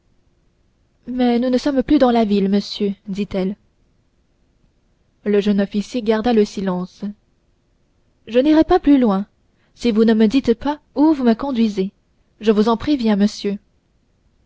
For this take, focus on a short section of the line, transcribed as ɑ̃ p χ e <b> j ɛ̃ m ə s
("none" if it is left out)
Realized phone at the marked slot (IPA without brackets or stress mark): v